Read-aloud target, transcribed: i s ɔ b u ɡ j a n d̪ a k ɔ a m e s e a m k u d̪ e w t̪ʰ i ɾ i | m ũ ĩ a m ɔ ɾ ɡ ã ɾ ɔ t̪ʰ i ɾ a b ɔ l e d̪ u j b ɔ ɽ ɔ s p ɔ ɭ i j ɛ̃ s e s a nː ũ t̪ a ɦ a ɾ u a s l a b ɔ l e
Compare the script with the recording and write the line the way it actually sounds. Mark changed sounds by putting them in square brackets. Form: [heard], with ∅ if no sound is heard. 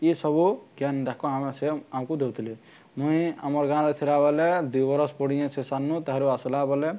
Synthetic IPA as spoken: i s ɔ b u ɡ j a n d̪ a k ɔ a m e s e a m k u d̪ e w t̪ʰ i [l] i | m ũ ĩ a m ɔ ɾ ɡ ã ɾ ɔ t̪ʰ i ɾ a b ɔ l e d̪ u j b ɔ [ɾ] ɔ s p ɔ [ɽ] i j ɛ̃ s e s a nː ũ t̪ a ɦ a ɾ u a s l a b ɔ l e

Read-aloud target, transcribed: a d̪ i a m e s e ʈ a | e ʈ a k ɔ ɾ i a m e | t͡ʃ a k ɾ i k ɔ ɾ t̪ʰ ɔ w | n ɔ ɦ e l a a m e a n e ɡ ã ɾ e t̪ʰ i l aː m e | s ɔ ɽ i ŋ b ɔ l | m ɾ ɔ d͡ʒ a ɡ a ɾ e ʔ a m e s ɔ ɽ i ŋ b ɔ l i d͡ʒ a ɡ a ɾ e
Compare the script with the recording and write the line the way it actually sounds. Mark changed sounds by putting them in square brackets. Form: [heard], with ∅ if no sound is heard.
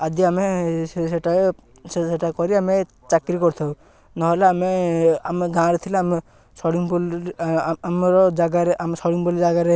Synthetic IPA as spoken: a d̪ i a m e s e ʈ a | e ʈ a k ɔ ɾ i a m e | t͡ʃ a k ɾ i k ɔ ɾ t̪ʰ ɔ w | n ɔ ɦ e l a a m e a [m] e ɡ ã ɾ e t̪ʰ i l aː m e | s ɔ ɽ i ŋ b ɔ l | m ɾ ɔ d͡ʒ a ɡ a ɾ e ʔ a m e s ɔ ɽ i ŋ b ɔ l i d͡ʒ a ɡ a ɾ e

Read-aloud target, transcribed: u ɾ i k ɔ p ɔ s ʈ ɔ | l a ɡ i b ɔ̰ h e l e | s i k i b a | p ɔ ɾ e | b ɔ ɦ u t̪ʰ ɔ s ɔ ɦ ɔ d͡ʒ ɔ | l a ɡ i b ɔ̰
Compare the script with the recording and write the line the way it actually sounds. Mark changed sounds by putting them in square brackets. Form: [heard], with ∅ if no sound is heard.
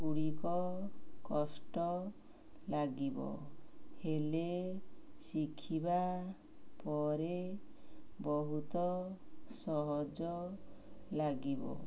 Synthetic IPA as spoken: u [ɽ] i k ɔ [k] ɔ s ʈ ɔ | l a ɡ i b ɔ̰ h e l e | s i [kʰ] i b a | p ɔ ɾ e | b ɔ ɦ u [t̪] ɔ s ɔ ɦ ɔ d͡ʒ ɔ | l a ɡ i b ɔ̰

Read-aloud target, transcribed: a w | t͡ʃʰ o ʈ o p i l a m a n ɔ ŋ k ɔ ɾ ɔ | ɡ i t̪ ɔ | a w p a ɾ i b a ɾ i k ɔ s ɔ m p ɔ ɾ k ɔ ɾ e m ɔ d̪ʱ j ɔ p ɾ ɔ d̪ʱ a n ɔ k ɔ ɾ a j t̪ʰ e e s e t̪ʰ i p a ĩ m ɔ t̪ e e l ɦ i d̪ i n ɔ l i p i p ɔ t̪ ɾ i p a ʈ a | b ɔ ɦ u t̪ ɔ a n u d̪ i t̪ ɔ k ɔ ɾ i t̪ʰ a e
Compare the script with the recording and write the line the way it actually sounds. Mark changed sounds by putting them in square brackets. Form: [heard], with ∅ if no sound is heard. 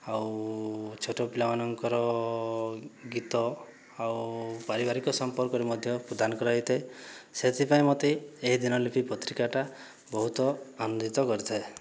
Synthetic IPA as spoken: a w | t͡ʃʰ o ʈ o p i l a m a n ɔ ŋ k ɔ ɾ ɔ | ɡ i t̪ ɔ | a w p a ɾ i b a ɾ i k ɔ s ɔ m p ɔ ɾ k ɔ ɾ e m ɔ d̪ʱ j ɔ p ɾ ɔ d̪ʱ a n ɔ k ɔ ɾ a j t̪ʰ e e s e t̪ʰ i p a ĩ m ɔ t̪ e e [∅] ɦ i d̪ i n ɔ l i p i p ɔ t̪ ɾ i [k] a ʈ a | b ɔ ɦ u t̪ ɔ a n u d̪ i t̪ ɔ k ɔ ɾ i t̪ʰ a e

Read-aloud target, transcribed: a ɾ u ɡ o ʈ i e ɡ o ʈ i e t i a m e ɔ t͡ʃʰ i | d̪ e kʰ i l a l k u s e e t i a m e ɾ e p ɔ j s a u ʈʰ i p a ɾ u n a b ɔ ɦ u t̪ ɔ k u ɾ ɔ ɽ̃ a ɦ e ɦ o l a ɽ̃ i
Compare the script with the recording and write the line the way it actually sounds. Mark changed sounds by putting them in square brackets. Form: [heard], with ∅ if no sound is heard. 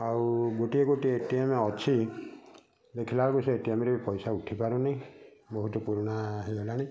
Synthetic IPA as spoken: a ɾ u ɡ o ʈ i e ɡ o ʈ i e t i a m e ɔ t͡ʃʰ i | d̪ e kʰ i l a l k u s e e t i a m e ɾ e p ɔ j s a u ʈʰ i p a ɾ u n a b ɔ ɦ u t̪ ɔ [p] u ɾ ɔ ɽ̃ a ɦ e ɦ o l a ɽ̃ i

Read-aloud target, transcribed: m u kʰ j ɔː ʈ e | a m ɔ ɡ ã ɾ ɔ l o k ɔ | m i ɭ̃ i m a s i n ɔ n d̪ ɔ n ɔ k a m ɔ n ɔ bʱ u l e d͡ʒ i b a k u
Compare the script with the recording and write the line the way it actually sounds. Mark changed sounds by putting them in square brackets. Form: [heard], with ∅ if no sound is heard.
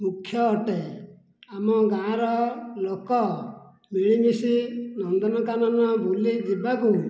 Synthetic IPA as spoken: m u kʰ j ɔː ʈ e | a m ɔ ɡ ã ɾ ɔ l o k ɔ | m i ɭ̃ i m [i] s i n ɔ n d̪ ɔ n ɔ k a [n] ɔ n ɔ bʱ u l [i] d͡ʒ i b a k u

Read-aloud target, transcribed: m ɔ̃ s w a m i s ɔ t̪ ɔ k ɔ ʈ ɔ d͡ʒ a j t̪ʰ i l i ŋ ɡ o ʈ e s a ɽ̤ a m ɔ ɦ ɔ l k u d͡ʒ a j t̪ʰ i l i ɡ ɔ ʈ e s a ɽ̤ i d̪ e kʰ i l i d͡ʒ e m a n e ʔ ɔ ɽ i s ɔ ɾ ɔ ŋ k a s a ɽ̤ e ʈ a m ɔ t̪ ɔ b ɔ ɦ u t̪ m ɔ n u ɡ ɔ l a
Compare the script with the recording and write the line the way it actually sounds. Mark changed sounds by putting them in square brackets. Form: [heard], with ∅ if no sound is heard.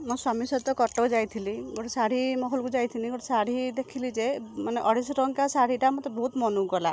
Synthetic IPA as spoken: m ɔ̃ s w a m i s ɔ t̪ ɔ k ɔ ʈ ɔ d͡ʒ a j t̪ʰ i l i [∅] ɡ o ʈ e s a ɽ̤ [i] m ɔ ɦ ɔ l k u d͡ʒ a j t̪ʰ i l i ɡ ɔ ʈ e s a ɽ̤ i d̪ e kʰ i l i d͡ʒ e m a n e ʔ ɔ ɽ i s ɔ ɾ ɔ ŋ k a s a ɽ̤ [i] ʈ a m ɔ t̪ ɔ b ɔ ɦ u t̪ m ɔ n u ɡ ɔ l a

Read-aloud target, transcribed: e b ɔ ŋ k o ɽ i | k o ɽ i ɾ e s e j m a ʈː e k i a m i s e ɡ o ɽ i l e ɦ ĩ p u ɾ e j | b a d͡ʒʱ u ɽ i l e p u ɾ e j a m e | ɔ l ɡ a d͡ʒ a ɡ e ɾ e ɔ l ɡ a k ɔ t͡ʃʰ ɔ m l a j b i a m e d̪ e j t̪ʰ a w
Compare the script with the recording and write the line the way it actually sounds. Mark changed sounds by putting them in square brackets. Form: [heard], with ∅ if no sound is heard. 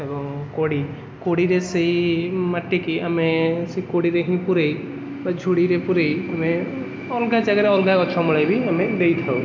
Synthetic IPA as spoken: e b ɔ ŋ k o ɽ i | k o ɽ i ɾ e s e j m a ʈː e k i a m [e] s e [k] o ɽ i [ɾ] e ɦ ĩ p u ɾ e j | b a d͡ʒʱ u ɽ i [ɾ] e p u ɾ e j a m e | ɔ l ɡ a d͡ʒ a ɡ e ɾ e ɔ l ɡ a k ɔ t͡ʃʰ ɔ m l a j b i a m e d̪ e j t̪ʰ a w

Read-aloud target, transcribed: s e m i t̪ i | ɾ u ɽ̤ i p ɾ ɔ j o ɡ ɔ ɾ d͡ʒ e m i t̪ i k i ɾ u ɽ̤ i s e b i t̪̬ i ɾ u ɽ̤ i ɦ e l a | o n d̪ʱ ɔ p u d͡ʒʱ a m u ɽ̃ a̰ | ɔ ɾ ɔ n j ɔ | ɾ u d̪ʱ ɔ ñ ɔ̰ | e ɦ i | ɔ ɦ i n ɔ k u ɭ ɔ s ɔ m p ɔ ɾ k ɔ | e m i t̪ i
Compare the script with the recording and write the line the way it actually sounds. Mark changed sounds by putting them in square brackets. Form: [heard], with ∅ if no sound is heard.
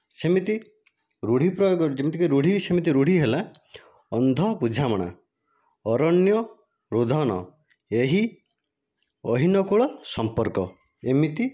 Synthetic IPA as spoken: s e m i t̪ i | ɾ u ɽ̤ i p ɾ ɔ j o ɡ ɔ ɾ d͡ʒ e m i t̪ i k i ɾ u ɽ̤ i s e [m] i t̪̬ i ɾ u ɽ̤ i ɦ e l a | [ɔ] n d̪ʱ ɔ p u d͡ʒʱ a m [ɔ] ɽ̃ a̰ | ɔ ɾ ɔ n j ɔ | ɾ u d̪ʱ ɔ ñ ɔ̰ | e ɦ i | ɔ ɦ i n ɔ k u ɭ ɔ s ɔ m p ɔ ɾ k ɔ | e m i t̪ i

